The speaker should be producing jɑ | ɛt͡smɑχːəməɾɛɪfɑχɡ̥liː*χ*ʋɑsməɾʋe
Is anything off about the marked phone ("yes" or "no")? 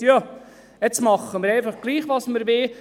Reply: no